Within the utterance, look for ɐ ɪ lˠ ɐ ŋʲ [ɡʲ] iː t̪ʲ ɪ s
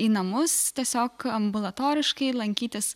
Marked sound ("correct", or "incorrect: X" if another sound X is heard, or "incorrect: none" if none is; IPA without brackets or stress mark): incorrect: kʲ